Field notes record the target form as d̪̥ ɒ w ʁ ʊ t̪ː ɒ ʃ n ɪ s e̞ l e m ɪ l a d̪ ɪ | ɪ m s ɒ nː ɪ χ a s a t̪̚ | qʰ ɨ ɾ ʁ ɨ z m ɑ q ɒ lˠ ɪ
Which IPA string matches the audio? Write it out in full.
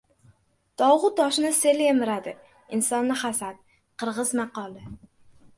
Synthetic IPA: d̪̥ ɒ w ʁ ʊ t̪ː ɒ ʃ n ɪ s e̞ l e m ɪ ɾ a d̪ ɪ | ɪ n s ɒ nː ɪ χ a s a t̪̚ | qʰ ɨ ɾ ʁ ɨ z m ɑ q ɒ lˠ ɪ

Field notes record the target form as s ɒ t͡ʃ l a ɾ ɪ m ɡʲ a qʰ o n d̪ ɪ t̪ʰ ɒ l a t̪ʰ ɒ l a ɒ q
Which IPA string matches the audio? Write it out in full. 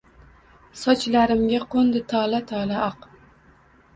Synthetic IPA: s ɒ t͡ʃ l a ɾ ɪ m ɡʲ a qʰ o n d̪ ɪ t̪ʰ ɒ l a t̪ʰ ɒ l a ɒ q

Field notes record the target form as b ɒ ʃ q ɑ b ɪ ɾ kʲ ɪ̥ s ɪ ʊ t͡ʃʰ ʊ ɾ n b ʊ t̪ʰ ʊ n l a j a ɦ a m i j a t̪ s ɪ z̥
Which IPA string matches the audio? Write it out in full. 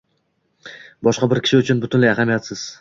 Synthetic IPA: b ɒ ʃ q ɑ b ɪ ɾ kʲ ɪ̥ ʃ ɪ ʊ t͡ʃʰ ʊ n b ʊ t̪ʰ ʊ n l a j a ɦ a m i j a t̪ s ɪ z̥

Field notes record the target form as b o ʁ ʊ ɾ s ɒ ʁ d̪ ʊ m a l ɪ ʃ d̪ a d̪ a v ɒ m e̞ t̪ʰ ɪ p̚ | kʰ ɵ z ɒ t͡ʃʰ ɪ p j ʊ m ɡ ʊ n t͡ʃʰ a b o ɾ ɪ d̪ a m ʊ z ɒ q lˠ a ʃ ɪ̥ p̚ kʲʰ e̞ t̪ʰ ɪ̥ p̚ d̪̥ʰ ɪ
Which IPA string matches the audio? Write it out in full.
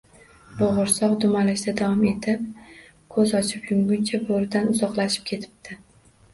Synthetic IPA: b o ʁ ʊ ɾ s ɒ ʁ d̪ ʊ m a l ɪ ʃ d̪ a d̪ a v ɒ m e̞ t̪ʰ ɪ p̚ | kʰ ɵ z ɒ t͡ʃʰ ɪ p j ʊ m ɡ ʊ n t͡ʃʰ a b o ɾ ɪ d̪ a n ʊ z ɒ q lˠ a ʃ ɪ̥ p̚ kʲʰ e̞ t̪ʰ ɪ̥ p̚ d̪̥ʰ ɪ

